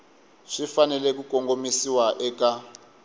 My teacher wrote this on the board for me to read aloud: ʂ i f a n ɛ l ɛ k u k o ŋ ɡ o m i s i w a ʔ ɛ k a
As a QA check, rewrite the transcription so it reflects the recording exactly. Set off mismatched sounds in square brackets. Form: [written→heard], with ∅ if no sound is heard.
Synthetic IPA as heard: ʂ i f a n ɛ l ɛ k u k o ŋ ɡ o m i s i w a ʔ ɛ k a